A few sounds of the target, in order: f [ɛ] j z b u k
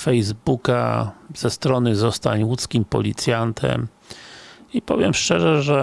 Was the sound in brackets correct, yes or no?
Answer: yes